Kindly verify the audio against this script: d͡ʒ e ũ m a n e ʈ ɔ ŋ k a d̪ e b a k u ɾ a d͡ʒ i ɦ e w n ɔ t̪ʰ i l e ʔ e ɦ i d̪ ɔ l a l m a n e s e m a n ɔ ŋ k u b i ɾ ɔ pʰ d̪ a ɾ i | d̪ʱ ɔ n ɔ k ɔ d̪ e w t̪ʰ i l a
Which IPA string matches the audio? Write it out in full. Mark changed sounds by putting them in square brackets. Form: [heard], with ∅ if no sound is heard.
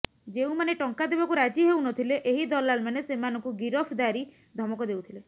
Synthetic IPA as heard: d͡ʒ e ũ m a n e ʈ ɔ ŋ k a d̪ e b a k u ɾ a d͡ʒ i ɦ e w n ɔ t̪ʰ i l e ʔ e ɦ i d̪ ɔ l a l m a n e s e m a n ɔ ŋ k u [ɡ] i ɾ ɔ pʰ d̪ a ɾ i | d̪ʱ ɔ [m] ɔ k ɔ d̪ e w t̪ʰ i l [e]